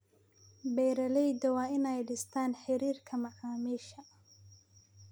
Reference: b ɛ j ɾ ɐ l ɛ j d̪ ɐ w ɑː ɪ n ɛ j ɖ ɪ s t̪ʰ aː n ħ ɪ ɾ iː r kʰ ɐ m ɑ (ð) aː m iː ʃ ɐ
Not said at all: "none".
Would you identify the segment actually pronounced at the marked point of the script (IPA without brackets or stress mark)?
ʕ